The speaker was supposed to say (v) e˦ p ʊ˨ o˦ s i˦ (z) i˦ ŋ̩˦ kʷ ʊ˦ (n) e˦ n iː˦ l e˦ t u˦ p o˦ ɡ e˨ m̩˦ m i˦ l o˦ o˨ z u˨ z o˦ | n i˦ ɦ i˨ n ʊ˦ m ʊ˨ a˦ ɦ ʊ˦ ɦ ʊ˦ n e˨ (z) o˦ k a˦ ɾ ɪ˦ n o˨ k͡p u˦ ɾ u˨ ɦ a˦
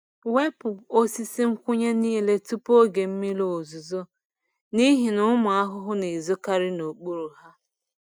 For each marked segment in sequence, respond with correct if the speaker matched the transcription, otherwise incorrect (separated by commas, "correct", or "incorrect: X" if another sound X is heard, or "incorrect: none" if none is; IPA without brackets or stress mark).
incorrect: w, incorrect: s, incorrect: ɲ, correct